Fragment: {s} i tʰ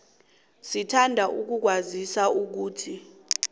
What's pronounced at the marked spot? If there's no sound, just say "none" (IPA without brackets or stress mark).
s